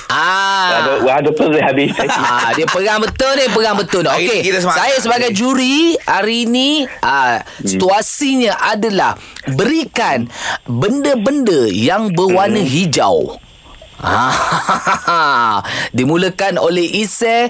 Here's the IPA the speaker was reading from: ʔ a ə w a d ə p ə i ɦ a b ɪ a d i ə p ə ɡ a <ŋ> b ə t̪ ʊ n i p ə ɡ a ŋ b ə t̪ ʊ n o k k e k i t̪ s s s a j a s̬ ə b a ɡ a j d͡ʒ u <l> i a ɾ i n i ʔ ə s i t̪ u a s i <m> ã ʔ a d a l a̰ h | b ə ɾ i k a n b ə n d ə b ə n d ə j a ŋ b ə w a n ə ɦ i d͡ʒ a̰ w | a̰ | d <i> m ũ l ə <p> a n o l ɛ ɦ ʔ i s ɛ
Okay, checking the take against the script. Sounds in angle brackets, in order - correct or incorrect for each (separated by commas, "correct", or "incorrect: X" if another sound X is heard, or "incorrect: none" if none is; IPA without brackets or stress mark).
correct, incorrect: ɾ, incorrect: ɲ, correct, incorrect: k